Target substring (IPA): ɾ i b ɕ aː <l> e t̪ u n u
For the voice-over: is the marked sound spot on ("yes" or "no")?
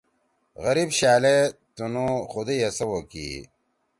yes